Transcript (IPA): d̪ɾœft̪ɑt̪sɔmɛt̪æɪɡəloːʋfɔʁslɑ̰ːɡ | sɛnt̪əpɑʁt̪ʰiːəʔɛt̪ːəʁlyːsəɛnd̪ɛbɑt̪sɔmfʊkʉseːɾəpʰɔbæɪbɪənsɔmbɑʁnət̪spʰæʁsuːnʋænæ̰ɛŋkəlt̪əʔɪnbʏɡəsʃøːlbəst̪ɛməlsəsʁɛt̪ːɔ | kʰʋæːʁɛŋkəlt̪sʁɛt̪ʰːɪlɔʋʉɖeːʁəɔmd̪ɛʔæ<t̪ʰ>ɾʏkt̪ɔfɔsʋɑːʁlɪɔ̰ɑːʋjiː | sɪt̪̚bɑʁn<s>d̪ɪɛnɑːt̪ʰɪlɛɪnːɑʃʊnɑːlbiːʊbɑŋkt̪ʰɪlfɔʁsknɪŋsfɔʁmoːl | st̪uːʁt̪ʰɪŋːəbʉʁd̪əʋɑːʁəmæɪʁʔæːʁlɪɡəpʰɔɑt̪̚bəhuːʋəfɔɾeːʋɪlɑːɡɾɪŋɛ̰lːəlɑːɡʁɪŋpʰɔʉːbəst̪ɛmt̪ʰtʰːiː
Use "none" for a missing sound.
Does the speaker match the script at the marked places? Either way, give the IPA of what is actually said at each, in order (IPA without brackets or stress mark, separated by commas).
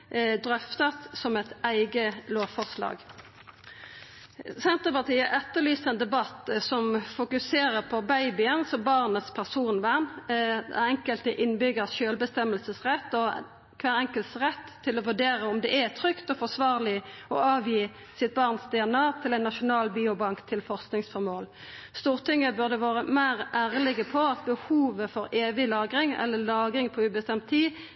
t̪ʰ, s